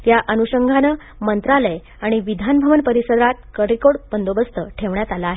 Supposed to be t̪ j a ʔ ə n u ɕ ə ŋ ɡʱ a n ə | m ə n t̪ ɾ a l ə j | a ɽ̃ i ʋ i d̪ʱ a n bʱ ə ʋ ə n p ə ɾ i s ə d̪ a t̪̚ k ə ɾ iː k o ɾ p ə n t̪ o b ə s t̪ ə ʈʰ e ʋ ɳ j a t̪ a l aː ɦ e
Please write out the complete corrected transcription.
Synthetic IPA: t̪ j a ʔ ə n u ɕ ə ŋ ɡʱ a n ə | m ə n t̪ ɾ a l ə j | a ɽ̃ i ʋ i d̪ʱ a n bʱ ə ʋ ə n p ə ɾ i s ə d̪ a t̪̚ k ə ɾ i k o ɽ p ə n d̪ o b ə s t̪ ə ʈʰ e ʋ ɳ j a t̪ a l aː ɦ e

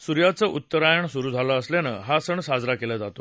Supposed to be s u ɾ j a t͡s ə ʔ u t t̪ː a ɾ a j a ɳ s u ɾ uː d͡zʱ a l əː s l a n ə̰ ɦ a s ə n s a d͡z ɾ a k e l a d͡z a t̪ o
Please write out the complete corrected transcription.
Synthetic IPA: s u ɾ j a t͡s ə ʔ u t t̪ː ə ɾ a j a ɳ s u ɾ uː d͡zʱ a l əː s l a n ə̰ ɦ a s ə ɳ s a d͡z ɾ a k e l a d͡z a t̪ o

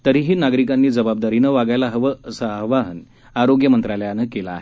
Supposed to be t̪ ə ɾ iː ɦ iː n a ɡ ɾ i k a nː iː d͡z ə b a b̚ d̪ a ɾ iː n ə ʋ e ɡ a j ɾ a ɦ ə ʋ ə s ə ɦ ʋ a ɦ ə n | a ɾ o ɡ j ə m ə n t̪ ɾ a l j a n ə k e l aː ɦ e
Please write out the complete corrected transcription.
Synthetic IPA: t̪ ə ɾ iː ɦ iː n a ɡ ɾ i k a nː iː d͡z ə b a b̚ d̪ a ɾ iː n ə ʋ a ɡ a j l a ɦ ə ʋ ə s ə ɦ ʋ a ɦ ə n | a ɾ o ɡ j ə m ə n t̪ ɾ a l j a n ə k e l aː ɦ e

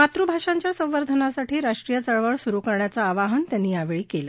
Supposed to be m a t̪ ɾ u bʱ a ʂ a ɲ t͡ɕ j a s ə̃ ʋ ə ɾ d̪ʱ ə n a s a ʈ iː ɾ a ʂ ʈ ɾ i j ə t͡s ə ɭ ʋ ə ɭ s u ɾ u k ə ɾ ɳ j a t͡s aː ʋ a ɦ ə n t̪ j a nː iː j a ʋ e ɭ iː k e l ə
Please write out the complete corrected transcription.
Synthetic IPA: m a t̪ ɾ u bʱ a ʂ a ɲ t͡ɕ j a s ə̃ ʋ ə ɾ d̪ʱ ə n a s a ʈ iː ɾ a ʂ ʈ ɾ i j ə t͡s ə ɭ ʋ ə ɭ s u ɾ u k ə ɾ ɳ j a t͡s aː ʋ a ɦ ə n t̪ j a nː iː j a ʋ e ɭ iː k e l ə

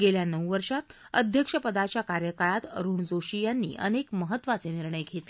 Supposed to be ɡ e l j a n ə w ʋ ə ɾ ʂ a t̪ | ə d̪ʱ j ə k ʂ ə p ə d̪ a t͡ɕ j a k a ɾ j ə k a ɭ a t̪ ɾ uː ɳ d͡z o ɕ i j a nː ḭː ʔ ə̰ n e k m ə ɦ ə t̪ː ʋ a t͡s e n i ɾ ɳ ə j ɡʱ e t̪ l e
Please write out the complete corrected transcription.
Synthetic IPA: ɡ e l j a n ə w ʋ ə ɾ ʂ a t̪ | ə d̪ʱ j ə k ʂ ə p ə d̪ a t͡ɕ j a k a ɾ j ə k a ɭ a t̪ ɾ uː ɳ d͡z o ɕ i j a nː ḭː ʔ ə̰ n e k m ə ɦ ə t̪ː ʋ a t͡s e n i ɾ ɳ ə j ɡʱ e t̪ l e

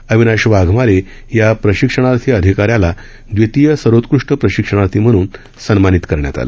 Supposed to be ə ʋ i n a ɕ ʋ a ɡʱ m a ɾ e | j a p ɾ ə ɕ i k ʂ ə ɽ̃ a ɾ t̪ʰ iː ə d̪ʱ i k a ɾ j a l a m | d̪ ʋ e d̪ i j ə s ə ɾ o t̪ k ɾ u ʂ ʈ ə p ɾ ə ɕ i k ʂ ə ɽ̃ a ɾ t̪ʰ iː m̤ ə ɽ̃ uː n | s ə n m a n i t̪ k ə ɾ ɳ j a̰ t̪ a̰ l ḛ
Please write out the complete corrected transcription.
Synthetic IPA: ə ʋ i n a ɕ ʋ a ɡʱ m a ɾ e | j a p ɾ ə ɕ i k ʂ ə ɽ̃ a ɾ t̪ʰ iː ə d̪ʱ i k a ɾ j a l a | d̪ ʋ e t̪ i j ə s ə ɾ o t̪ k ɾ u ʂ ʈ ə p ɾ ə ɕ i k ʂ ə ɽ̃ a ɾ t̪ʰ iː m̤ ə ɽ̃ uː n | s ə n m a n i t̪ k ə ɾ ɳ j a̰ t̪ a̰ l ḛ

